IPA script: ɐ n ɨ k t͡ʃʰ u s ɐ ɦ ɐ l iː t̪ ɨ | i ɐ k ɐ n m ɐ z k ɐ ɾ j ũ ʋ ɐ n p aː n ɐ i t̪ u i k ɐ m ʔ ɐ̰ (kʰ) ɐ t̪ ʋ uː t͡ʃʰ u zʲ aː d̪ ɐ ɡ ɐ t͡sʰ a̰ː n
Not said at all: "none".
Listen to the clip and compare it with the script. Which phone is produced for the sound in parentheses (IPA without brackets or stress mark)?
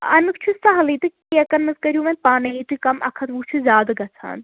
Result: kʰ